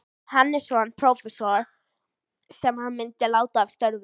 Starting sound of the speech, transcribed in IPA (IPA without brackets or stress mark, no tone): h